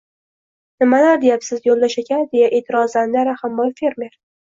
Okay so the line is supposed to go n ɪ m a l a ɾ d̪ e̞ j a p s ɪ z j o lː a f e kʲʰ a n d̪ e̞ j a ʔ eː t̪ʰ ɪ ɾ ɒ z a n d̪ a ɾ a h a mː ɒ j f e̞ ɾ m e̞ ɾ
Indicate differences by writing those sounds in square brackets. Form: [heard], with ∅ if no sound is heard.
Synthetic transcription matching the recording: n ɪ m a l a ɾ d̪ e̞ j a p s ɪ z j o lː a [ʃ] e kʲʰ a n d̪ e̞ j a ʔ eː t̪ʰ ɪ ɾ ɒ z a n d̪ a ɾ a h a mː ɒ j f e̞ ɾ m e̞ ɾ